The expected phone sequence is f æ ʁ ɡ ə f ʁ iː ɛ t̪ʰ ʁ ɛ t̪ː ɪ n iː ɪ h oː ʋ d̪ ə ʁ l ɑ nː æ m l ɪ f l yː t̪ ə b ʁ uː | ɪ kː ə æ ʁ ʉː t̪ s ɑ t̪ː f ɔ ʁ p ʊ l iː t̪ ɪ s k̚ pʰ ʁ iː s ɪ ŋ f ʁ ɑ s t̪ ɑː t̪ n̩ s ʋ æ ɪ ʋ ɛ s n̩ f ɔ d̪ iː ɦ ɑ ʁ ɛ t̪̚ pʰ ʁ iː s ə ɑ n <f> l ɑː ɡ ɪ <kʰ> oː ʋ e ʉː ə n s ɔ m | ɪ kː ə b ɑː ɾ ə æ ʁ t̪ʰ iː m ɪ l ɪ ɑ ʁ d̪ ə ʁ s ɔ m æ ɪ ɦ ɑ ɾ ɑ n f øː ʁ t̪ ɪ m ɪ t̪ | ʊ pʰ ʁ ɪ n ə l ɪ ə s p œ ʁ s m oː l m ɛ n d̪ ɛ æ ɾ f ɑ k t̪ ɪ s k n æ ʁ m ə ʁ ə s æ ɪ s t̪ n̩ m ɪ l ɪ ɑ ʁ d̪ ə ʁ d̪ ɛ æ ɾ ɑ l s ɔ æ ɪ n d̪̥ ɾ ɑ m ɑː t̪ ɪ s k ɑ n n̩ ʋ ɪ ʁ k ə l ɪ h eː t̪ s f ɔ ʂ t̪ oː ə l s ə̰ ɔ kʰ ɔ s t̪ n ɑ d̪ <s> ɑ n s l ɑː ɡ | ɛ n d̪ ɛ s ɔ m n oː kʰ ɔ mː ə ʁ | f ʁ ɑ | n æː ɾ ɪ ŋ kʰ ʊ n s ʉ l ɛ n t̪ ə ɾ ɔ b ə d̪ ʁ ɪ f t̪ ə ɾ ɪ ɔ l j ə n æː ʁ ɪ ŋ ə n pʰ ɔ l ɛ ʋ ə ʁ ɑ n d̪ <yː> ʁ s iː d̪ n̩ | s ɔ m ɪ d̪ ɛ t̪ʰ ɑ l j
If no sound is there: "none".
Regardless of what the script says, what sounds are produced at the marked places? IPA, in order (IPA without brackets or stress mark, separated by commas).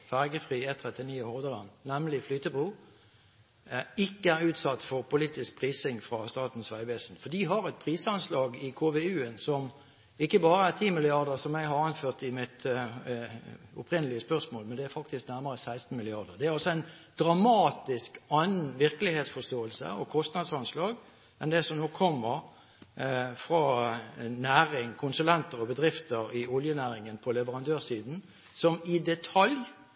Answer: s, kʰ, s, øː